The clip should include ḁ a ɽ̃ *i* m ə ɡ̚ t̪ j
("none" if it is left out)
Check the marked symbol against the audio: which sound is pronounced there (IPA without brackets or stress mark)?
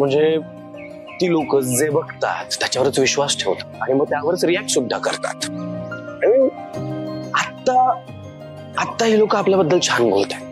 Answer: i